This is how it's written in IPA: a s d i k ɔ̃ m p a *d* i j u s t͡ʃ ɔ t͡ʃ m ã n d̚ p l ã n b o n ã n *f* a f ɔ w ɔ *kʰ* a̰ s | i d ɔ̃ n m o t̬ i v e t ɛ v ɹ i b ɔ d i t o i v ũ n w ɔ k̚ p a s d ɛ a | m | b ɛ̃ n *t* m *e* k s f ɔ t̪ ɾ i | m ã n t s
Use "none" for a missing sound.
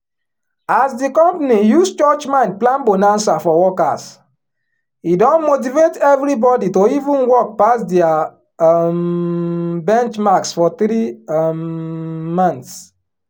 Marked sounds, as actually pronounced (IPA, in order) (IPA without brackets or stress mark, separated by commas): n, s, k, t͡ʃ, a